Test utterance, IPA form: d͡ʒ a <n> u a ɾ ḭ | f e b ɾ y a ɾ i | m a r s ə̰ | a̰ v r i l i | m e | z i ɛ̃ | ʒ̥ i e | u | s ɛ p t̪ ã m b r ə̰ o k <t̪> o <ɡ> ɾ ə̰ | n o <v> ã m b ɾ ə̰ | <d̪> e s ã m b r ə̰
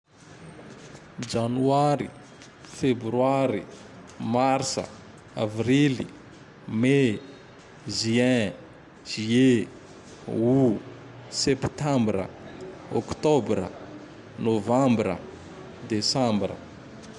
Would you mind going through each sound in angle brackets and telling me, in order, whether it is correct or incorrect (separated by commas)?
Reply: correct, correct, incorrect, correct, correct